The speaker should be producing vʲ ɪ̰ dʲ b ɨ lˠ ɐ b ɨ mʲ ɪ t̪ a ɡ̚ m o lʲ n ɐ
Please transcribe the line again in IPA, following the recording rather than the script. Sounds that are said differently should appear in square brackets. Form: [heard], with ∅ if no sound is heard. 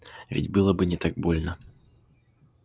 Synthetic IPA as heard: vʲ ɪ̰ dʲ b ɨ lˠ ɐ b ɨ [nʲ] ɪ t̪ a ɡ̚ [b] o lʲ n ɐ

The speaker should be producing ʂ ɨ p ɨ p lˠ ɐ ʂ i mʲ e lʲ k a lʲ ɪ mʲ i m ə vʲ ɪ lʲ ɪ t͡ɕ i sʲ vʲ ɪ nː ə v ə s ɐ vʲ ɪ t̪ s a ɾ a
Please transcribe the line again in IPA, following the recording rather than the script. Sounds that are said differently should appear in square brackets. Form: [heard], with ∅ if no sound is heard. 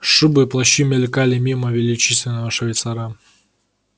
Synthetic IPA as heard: ʂ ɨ [b] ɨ p lˠ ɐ [ɕ] i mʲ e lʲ k a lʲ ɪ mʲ i m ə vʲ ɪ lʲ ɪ t͡ɕ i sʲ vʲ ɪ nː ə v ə [ʂ] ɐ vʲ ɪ t̪ s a ɾ a

